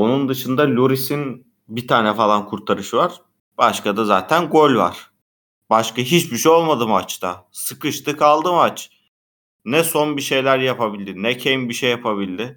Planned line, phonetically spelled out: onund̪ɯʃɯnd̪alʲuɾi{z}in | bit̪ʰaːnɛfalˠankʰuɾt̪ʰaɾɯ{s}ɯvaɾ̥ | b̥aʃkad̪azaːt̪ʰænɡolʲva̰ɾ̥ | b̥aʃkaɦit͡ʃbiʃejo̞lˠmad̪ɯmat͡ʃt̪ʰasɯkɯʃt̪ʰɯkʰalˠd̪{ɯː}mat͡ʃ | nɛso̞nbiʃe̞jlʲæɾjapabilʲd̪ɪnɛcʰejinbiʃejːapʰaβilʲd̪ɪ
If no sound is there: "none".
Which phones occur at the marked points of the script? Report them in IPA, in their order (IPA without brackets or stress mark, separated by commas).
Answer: s, ʃ, ɯ